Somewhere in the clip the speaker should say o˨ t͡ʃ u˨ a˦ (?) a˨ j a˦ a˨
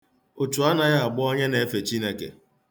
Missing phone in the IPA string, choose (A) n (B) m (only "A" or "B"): A